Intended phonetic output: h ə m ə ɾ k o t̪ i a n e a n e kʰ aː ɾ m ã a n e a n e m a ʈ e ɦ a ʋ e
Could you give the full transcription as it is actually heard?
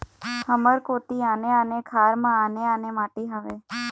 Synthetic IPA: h ə m ə ɾ k o t̪ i a n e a n e kʰ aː ɾ m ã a n e a n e m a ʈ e ɦ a ʋ e

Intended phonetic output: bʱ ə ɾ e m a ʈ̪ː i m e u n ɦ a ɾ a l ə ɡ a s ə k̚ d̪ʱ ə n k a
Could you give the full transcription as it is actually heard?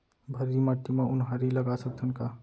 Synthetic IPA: bʱ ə ɾ i m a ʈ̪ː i m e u n ɦ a ɾ i l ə ɡ a s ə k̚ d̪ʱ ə n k a

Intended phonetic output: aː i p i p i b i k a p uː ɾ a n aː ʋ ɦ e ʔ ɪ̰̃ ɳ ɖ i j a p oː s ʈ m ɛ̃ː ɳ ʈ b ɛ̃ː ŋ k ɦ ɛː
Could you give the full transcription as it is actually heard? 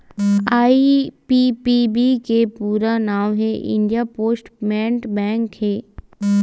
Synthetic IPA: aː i p i p i b i k e p uː ɾ a n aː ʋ ɦ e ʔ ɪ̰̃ ɳ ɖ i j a p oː s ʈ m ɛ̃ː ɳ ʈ b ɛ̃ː ŋ k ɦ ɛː

